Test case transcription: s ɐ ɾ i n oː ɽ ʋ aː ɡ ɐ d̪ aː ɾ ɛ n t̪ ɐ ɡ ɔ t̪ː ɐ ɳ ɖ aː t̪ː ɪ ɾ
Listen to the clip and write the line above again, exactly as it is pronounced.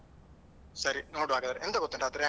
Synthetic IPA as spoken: s ɐ ɾ i n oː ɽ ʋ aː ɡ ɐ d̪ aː ɾ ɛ n d̪ ɐ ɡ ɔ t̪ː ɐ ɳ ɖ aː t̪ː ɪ ɾ